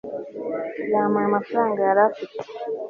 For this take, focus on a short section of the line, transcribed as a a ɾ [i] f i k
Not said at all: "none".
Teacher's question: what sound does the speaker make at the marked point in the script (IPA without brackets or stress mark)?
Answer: a